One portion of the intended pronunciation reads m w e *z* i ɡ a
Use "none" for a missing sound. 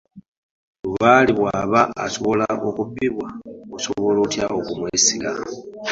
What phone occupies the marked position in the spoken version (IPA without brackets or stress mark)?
s